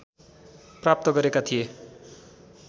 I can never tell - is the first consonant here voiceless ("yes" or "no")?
yes